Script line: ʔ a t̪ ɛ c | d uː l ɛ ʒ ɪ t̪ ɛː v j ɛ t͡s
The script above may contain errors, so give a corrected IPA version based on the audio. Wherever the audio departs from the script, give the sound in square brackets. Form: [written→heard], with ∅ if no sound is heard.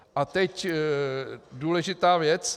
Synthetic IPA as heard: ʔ a t̪ ɛ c | d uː l ɛ ʒ ɪ t̪ [ɛː→aː] v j ɛ t͡s